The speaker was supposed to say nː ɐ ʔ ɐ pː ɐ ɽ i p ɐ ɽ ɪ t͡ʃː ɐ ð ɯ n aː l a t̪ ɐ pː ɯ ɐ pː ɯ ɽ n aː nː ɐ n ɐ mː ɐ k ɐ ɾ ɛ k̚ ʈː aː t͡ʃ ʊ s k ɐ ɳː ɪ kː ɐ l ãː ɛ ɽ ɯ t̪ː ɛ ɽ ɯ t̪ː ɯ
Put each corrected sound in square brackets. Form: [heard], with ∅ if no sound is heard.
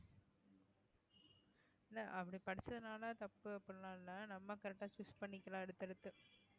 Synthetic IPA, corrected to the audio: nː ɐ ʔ ɐ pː ɐ ɽ i p ɐ ɽ ɪ t͡ʃː ɐ ð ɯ n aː l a t̪ ɐ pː ɯ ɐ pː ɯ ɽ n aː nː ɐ n ɐ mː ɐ k ɐ ɾ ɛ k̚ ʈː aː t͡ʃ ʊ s [p] ɐ ɳː ɪ kː ɐ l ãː ɛ ɽ ɯ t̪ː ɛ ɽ ɯ t̪ː ɯ